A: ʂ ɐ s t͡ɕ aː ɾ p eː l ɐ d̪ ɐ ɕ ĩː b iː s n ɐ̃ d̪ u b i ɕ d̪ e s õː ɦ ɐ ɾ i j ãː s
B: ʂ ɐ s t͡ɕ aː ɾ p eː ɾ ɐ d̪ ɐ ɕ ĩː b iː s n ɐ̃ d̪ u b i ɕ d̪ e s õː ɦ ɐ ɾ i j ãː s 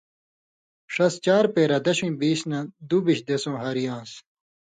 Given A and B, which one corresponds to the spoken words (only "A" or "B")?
B